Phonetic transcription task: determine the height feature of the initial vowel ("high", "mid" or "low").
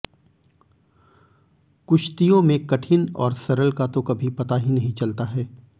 high